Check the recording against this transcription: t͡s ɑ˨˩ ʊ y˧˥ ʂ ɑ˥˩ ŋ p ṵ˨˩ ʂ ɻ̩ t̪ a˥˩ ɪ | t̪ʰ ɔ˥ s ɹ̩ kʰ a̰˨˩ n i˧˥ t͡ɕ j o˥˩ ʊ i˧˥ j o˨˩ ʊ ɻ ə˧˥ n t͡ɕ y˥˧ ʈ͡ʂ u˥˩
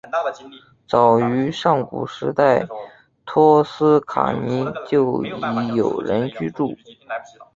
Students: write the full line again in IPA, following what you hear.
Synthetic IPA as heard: t͡s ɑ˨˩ ʊ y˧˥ ʂ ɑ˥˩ ŋ k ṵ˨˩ ʂ ɻ̩ t̪ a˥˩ ɪ | t̪ʰ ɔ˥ s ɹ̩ kʰ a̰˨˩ n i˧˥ t͡ɕ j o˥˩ ʊ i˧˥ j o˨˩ ʊ ɻ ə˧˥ n t͡ɕ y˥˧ ʈ͡ʂ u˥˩